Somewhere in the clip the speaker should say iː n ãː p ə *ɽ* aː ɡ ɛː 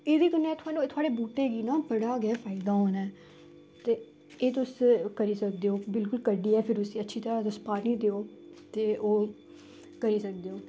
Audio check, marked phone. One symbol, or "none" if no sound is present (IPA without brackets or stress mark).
ɽ